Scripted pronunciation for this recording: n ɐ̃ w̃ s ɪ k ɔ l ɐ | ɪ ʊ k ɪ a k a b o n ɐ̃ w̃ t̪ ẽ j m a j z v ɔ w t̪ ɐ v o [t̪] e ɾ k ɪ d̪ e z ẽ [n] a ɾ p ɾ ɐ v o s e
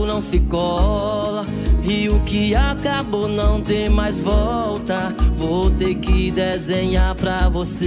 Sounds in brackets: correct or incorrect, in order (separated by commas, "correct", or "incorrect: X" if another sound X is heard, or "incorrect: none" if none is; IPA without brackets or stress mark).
correct, incorrect: ɲ